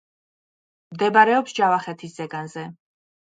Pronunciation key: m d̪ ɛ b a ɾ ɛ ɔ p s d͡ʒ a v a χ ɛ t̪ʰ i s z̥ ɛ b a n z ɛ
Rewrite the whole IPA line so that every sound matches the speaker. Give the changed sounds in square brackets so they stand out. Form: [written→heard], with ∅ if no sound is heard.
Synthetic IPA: m d̪ ɛ b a ɾ ɛ ɔ p s d͡ʒ a v a χ ɛ t̪ʰ i s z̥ ɛ [b→ɡ] a n z ɛ